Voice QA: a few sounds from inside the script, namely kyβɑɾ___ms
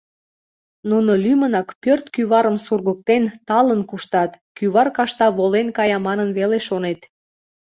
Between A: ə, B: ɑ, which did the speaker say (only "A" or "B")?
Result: A